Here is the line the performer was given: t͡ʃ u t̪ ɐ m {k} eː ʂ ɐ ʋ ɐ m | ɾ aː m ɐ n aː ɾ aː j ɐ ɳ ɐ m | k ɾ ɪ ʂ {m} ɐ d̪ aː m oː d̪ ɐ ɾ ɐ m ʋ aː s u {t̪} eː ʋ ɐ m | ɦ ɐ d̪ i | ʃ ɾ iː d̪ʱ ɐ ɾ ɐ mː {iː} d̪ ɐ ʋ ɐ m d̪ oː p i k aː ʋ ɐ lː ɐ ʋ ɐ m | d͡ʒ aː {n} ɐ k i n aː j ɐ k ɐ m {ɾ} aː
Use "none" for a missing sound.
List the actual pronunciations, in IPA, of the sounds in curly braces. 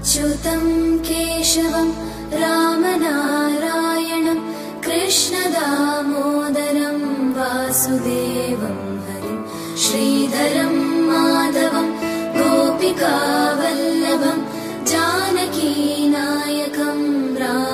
k, ɳ, d̪, aː, n, ɾ

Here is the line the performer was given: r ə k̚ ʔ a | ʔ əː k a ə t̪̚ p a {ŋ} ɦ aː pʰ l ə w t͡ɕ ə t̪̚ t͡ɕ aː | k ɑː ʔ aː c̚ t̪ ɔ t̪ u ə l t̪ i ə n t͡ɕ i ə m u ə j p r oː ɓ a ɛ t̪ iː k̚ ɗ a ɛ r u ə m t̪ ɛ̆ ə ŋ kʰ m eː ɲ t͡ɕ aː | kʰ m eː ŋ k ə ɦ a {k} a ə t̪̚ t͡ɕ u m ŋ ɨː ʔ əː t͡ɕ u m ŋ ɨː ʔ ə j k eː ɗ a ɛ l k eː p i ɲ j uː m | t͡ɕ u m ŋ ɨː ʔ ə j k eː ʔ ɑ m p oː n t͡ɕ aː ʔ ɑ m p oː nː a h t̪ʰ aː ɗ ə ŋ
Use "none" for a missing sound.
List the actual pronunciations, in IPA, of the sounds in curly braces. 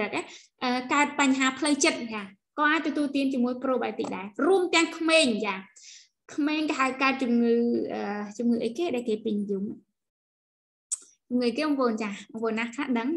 ɲ, k

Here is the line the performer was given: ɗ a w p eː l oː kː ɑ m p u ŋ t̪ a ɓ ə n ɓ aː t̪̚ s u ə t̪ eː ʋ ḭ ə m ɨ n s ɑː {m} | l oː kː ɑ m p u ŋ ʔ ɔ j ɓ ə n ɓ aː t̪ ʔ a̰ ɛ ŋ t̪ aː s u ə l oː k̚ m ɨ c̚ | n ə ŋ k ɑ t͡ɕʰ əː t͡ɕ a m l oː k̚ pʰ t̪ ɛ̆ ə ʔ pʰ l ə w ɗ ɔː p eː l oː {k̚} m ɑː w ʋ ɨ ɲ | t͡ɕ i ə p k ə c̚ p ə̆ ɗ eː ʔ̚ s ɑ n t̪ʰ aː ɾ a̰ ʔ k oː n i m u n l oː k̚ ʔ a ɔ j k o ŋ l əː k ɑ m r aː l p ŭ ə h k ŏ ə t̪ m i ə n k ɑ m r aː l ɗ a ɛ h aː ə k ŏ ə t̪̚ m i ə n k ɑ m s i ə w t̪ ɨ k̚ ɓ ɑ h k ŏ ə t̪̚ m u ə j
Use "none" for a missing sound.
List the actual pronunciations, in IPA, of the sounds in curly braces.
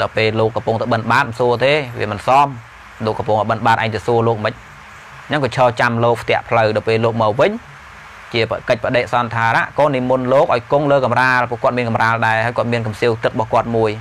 m, k̚

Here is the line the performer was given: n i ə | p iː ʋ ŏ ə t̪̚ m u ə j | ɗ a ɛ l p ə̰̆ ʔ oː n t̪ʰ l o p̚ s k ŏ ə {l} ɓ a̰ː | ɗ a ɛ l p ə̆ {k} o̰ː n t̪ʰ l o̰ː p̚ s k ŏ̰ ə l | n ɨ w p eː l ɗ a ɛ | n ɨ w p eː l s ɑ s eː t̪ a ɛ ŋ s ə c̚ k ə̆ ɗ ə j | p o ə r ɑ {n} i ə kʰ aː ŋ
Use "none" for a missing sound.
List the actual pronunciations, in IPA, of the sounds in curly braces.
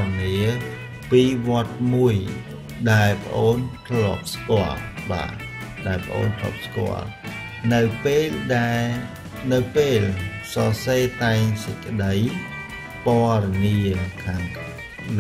l, ʔ, n

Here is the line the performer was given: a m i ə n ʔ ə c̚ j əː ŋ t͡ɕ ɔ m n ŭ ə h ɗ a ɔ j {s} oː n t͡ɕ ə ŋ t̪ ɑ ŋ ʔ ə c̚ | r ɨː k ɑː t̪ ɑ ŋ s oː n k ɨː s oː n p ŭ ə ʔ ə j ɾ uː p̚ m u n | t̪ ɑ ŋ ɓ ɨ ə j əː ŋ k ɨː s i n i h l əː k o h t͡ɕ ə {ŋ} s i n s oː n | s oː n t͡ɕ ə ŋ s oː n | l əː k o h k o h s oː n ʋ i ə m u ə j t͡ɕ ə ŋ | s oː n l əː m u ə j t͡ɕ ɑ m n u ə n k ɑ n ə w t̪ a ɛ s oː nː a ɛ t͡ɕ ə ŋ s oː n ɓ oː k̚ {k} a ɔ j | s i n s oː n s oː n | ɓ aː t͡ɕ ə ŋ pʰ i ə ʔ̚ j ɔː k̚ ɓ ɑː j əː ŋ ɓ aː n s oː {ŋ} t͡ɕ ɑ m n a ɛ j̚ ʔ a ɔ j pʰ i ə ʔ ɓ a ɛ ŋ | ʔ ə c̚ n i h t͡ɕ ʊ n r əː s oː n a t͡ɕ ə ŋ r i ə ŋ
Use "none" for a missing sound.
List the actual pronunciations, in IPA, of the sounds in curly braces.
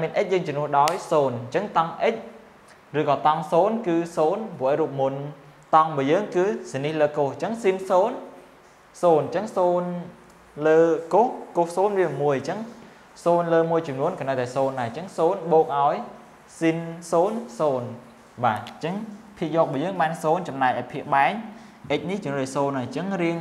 s, ŋ, ʔ, n

